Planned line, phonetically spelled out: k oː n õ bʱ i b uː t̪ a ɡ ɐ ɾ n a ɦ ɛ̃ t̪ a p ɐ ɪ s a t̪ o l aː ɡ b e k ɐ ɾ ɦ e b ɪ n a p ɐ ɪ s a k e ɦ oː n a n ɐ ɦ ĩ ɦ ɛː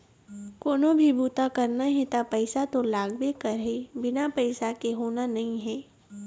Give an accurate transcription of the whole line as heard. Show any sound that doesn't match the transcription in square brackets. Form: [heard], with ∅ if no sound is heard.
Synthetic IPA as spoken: k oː n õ bʱ i b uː t̪ a [k] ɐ ɾ n a ɦ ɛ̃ t̪ a p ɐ ɪ s a t̪ o l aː ɡ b e k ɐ ɾ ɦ e b ɪ n a p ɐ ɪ s a k e ɦ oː n a n ɐ ɦ ĩ ɦ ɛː

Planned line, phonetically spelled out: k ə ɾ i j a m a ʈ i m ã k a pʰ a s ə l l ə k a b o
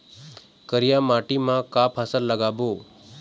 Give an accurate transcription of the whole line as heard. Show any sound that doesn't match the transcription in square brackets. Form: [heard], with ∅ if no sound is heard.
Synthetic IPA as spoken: k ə ɾ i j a m a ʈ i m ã k a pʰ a s ə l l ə [ɡ] a b o

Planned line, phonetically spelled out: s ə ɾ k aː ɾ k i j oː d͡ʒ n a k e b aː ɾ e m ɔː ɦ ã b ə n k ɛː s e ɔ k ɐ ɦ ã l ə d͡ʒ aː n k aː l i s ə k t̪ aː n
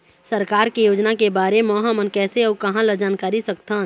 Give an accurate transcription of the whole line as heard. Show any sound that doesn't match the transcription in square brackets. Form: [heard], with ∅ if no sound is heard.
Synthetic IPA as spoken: s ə ɾ k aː ɾ k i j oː d͡ʒ n a k e b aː ɾ e m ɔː ɦ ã [m] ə n k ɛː s e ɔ k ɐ ɦ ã l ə d͡ʒ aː n k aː [ɾ] i s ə k t̪ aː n

